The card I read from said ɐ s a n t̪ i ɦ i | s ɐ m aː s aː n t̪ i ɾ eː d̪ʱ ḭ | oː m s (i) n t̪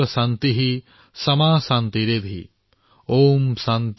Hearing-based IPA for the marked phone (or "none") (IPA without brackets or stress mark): a